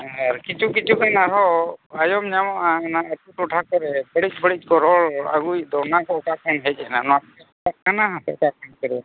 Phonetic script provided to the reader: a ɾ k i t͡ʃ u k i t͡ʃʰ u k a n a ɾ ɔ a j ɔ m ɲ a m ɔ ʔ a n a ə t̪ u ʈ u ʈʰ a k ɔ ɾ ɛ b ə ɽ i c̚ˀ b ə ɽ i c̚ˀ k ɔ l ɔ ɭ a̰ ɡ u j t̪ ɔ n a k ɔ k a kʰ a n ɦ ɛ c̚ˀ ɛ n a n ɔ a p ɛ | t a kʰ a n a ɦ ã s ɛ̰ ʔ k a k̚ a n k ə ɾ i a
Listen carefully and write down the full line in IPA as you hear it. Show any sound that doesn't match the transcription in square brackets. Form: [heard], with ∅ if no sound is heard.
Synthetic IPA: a ɾ k i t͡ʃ u k i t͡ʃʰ u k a n a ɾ ɔ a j ɔ m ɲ a m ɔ ʔ a n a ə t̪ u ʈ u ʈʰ a k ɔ ɾ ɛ b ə ɽ i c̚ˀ b ə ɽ i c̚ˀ k ɔ [ɾ] ɔ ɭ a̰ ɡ u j [d̪] ɔ n a k ɔ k a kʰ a n ɦ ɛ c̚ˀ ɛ n a n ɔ a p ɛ | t a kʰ a n a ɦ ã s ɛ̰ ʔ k a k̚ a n k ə ɾ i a